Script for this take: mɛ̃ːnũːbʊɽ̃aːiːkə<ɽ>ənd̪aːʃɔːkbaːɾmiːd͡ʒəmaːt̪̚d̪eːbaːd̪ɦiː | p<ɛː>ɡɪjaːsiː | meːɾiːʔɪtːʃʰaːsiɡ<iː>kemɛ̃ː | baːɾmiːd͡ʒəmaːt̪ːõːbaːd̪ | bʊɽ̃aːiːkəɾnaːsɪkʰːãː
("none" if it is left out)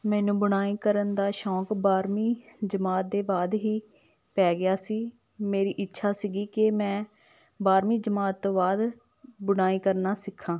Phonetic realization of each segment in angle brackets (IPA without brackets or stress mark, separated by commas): ɾ, ɛː, iː